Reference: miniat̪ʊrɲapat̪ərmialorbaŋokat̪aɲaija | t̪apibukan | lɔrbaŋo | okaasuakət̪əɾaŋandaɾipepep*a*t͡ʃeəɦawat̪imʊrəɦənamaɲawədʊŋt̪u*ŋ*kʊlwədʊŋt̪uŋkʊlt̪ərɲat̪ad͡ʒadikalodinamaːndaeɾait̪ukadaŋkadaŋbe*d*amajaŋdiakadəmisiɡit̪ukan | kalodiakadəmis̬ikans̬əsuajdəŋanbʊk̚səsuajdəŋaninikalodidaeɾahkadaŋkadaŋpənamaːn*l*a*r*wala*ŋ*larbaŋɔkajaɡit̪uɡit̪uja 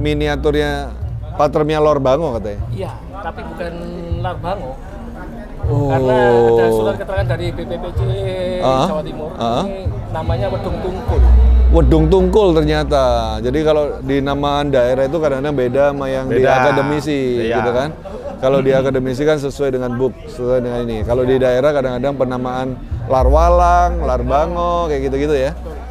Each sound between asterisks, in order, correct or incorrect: incorrect: e, correct, correct, correct, correct, correct

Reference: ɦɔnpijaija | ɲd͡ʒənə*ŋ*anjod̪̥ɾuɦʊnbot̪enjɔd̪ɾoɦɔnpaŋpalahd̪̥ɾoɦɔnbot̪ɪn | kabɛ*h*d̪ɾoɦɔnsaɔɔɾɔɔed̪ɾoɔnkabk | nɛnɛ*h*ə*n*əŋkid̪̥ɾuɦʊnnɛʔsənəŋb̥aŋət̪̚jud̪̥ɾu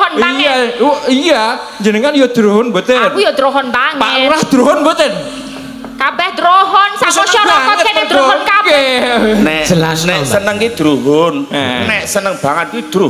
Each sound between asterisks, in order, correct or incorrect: correct, correct, incorrect: s, correct

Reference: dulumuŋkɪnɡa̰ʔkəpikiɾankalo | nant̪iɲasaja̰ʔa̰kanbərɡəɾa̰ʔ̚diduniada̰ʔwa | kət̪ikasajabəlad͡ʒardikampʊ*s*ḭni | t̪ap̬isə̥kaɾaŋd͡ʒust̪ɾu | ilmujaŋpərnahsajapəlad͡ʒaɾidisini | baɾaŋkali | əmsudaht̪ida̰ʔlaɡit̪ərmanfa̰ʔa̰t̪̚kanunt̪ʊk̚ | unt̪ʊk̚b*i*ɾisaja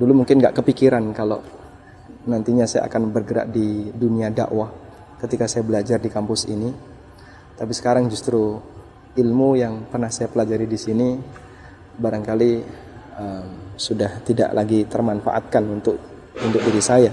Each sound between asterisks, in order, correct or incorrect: correct, correct

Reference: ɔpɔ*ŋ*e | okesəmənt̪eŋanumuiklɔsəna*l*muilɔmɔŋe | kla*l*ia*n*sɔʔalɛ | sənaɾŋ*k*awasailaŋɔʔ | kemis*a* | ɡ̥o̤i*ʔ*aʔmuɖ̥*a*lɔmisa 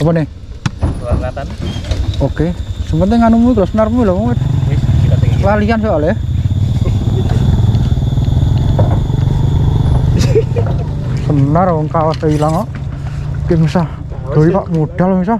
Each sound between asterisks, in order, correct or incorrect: incorrect: n, incorrect: r, correct, correct, correct, correct, incorrect: p, correct

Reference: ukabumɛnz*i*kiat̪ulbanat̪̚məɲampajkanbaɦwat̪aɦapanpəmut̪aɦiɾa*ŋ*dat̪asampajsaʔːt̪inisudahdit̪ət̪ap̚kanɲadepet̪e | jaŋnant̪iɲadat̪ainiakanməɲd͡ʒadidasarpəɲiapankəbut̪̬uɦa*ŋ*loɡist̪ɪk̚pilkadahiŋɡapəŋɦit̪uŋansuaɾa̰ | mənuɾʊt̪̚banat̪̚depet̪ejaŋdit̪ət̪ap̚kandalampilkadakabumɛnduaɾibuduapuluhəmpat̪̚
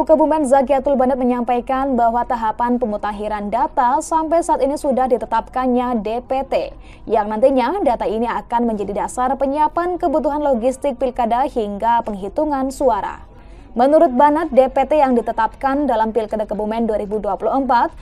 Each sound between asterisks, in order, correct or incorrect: incorrect: a, incorrect: n, incorrect: n

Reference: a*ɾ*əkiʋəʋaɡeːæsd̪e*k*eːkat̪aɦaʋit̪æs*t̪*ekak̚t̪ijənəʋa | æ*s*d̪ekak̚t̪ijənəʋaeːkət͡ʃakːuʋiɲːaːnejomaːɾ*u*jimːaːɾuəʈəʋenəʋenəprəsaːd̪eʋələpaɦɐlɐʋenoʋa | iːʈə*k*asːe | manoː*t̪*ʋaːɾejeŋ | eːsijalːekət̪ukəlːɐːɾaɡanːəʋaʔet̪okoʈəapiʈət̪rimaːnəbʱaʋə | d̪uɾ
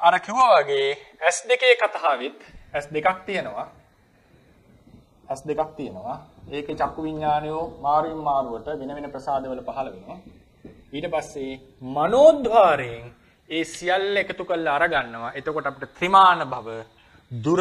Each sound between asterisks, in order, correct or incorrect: correct, correct, incorrect: d̪, correct, correct, incorrect: p, incorrect: d̪

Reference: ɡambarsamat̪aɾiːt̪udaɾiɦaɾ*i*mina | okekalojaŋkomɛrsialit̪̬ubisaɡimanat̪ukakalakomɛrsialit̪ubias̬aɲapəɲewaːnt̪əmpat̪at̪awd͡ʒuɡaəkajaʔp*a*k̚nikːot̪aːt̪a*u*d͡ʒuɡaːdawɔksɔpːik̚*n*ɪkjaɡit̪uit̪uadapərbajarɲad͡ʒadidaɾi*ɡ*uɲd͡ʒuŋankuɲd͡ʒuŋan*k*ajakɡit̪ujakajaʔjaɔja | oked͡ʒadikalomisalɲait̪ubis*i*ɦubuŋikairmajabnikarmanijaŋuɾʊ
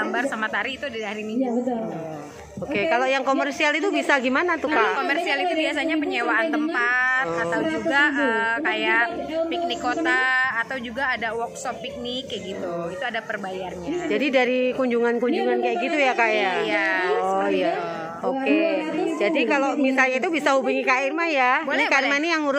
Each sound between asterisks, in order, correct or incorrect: correct, incorrect: i, incorrect: w, correct, incorrect: k, correct, incorrect: a

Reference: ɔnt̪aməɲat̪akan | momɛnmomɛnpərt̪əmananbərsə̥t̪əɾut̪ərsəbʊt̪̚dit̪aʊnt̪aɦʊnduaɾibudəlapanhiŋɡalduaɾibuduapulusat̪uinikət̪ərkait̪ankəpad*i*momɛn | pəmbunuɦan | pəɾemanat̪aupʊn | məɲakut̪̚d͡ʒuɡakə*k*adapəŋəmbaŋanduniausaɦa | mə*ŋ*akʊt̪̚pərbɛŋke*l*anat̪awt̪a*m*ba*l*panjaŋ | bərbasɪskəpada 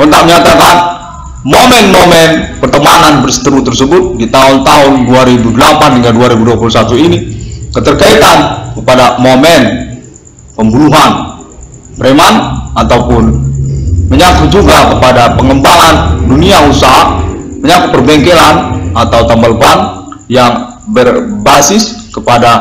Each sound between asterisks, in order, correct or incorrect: incorrect: a, incorrect: p, incorrect: ɲ, correct, correct, correct

